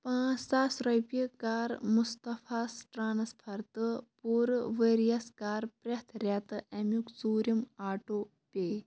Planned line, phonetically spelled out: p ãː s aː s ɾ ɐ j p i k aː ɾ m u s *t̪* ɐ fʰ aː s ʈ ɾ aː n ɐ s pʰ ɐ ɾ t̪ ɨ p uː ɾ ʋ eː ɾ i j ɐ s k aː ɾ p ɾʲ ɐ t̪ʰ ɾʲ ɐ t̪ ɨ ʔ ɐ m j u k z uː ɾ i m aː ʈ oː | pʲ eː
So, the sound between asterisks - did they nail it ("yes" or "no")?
yes